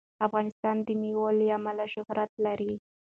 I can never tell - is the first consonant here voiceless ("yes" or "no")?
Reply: yes